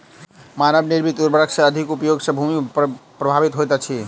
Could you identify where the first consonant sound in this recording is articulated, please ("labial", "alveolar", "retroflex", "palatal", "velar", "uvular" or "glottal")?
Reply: labial